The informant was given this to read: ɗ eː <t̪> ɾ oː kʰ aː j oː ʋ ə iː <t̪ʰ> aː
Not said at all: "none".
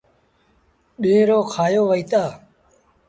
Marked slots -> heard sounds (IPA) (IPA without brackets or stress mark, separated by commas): none, t̪